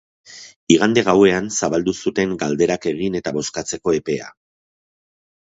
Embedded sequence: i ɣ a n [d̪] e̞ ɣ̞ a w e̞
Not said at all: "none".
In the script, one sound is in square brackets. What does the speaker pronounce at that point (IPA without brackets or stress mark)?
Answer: d̪